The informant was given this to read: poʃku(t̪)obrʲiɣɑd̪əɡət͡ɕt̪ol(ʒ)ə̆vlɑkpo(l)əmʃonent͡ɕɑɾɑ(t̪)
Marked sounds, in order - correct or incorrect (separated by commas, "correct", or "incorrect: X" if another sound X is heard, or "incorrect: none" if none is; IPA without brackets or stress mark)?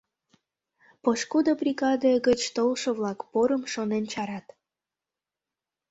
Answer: incorrect: d̪, incorrect: ʃ, incorrect: ɾ, correct